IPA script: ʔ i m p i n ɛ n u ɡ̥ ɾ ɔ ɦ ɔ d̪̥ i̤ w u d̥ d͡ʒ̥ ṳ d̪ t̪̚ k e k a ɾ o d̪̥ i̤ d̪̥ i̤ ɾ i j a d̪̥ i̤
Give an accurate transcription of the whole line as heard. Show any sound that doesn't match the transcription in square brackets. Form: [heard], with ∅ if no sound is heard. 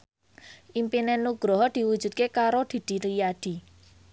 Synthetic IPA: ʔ i m p i n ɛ n u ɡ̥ ɾ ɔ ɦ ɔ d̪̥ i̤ w u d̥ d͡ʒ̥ ṳ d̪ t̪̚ k e k a ɾ o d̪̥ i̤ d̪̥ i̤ ɾ i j a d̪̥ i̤